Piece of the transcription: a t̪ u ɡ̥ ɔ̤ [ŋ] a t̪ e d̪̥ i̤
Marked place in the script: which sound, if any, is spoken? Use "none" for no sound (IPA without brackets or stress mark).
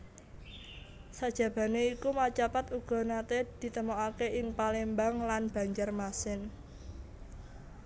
n